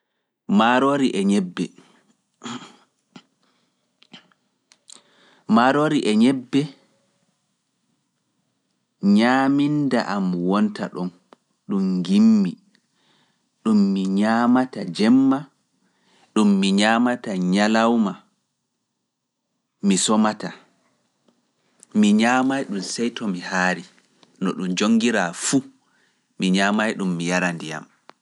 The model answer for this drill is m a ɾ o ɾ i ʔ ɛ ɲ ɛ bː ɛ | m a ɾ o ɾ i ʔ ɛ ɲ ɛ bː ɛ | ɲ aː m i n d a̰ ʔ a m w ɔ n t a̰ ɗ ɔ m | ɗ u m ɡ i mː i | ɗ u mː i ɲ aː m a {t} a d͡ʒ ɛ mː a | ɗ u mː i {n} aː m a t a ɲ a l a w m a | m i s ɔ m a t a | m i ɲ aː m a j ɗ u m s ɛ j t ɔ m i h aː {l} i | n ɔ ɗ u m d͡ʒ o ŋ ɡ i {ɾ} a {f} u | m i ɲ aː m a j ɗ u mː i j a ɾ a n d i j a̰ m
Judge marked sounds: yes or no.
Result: yes, no, no, yes, yes

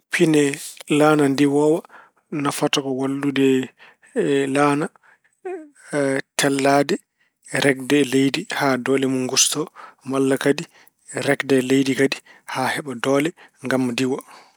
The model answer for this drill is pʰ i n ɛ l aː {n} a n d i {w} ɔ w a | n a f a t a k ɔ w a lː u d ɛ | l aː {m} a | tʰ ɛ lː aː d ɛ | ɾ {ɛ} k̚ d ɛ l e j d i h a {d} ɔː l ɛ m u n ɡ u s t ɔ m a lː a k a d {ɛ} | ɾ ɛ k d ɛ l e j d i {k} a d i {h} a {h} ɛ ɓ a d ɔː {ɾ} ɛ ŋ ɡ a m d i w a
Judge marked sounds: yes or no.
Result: yes, yes, no, yes, yes, no, yes, yes, yes, no

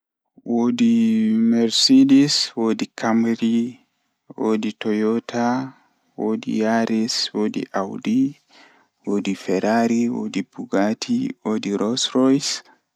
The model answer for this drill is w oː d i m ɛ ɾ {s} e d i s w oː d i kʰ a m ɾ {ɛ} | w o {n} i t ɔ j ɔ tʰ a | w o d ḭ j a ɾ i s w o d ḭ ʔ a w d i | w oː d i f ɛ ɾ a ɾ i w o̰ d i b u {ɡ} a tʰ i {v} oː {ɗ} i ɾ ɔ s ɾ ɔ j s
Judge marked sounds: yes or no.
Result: yes, no, no, yes, no, no

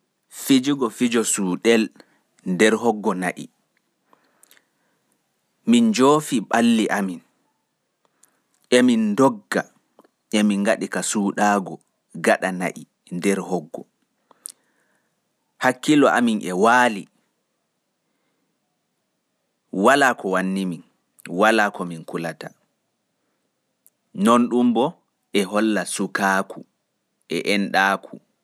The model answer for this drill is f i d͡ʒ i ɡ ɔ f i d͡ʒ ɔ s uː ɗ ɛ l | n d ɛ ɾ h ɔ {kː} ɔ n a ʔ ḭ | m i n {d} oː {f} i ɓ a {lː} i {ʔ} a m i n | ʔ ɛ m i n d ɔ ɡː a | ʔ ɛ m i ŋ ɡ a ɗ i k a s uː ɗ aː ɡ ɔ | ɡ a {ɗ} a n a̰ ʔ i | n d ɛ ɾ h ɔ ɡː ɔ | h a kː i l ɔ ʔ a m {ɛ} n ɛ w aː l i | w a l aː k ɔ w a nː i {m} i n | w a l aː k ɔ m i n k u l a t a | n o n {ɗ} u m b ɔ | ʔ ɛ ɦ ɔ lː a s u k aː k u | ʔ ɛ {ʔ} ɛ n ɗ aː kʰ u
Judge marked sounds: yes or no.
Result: no, no, yes, yes, yes, yes, no, yes, yes, yes

